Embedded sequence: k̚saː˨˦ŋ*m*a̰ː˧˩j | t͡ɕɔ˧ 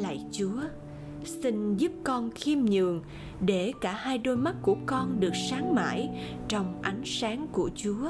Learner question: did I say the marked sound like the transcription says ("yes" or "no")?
yes